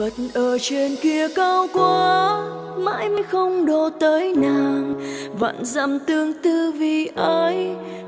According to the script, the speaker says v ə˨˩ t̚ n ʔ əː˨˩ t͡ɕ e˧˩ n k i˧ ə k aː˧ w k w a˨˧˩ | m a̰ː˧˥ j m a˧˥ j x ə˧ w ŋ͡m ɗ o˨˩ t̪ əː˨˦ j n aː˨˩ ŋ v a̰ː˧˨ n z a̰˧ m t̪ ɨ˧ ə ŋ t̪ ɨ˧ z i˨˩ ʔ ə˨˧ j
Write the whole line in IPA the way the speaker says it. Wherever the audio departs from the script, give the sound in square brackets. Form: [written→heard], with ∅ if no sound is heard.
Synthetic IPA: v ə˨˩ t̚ n ʔ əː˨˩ t͡ɕ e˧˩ n k i˧ ə k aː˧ w k w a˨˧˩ | m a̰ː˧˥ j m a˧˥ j x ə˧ w ŋ͡m ɗ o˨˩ t̪ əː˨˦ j n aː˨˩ ŋ v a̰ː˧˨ n z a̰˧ m t̪ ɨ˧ ə ŋ t̪ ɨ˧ [z→v] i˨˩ ʔ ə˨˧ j